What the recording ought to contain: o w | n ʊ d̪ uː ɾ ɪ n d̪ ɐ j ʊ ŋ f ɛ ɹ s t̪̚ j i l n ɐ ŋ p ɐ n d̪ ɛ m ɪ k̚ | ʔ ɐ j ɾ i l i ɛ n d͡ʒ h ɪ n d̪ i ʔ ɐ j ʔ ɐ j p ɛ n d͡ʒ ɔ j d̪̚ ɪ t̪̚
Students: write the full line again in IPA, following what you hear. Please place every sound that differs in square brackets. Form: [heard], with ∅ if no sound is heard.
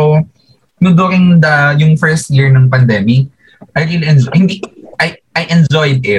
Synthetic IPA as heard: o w | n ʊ d̪ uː ɾ ɪ [ŋ] d̪ ɐ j ʊ ŋ f ɛ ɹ s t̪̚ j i [ɹ] n ɐ ŋ p ɐ n d̪ ɛ m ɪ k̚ | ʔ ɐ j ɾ i l i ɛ n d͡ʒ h ɪ n d̪ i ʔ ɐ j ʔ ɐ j [ʔ] ɛ n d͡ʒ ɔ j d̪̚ ɪ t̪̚